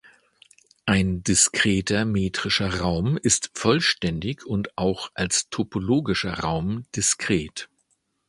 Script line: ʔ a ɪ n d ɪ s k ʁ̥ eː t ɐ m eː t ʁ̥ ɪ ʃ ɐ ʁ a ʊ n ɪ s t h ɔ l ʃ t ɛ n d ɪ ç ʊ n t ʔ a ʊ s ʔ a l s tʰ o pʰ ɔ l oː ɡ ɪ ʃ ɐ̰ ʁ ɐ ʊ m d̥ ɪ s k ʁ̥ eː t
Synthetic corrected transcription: ʔ a ɪ n d ɪ s k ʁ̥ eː t ɐ m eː t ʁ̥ ɪ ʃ ɐ ʁ a ʊ m ɪ s t f ɔ l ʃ t ɛ n d ɪ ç ʊ n t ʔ a ʊ x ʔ a l s tʰ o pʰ o l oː ɡ ɪ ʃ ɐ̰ ʁ a ʊ m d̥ ɪ s k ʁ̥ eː t